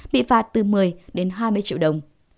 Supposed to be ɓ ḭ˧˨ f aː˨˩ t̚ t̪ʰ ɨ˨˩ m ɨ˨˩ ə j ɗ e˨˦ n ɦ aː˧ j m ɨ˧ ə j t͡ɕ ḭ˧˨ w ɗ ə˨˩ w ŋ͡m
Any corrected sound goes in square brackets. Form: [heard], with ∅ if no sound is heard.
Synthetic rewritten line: ɓ ḭ˧˨ f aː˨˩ t̚ [t̪] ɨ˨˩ m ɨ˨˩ ə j ɗ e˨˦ n ɦ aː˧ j m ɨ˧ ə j t͡ɕ ḭ˧˨ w ɗ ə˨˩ w ŋ͡m